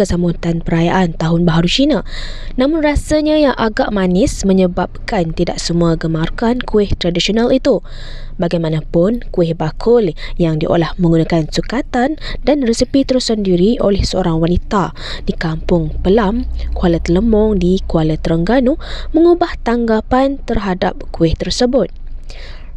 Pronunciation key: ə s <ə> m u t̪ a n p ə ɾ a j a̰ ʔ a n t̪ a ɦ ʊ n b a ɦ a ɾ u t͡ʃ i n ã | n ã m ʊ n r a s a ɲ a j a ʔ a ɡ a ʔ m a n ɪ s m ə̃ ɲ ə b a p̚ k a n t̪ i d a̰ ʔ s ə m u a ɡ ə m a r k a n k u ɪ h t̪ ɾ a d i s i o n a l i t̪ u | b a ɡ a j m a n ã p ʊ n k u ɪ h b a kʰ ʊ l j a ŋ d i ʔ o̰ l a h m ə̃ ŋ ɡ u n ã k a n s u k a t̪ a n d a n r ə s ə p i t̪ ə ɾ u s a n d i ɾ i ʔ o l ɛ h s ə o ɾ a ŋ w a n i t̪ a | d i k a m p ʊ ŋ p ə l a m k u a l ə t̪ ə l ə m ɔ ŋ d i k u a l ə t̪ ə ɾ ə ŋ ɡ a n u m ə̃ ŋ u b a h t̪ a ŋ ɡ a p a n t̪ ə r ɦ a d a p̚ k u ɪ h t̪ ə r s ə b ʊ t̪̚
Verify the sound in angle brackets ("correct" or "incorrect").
incorrect